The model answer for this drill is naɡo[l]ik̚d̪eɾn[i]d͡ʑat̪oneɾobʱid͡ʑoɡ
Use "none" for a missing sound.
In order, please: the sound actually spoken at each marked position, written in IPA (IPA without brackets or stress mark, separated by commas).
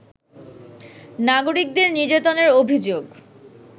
ɾ, i